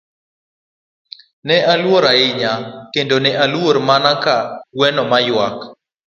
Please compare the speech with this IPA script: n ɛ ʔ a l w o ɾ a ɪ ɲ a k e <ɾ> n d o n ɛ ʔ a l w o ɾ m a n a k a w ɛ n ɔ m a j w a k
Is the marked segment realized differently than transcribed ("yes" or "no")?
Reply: yes